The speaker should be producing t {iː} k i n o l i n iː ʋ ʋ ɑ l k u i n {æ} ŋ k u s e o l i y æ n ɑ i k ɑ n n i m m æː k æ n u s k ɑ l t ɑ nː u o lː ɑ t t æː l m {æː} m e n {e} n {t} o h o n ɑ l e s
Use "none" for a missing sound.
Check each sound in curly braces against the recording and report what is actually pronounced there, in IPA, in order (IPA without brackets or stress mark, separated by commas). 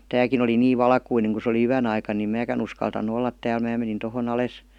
æː, e, æː, i, t